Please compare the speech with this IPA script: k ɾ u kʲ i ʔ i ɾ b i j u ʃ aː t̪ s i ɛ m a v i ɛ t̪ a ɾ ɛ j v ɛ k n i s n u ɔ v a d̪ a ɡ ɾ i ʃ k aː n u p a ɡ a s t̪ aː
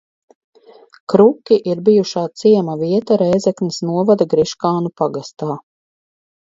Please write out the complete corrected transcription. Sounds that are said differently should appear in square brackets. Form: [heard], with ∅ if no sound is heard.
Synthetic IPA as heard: k ɾ u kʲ i ʔ i ɾ b i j u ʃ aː t̪ s i ɛ m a v i ɛ t̪ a ɾ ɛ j [z] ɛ k n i s n u ɔ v a d̪ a ɡ ɾ i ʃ k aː n u p a ɡ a s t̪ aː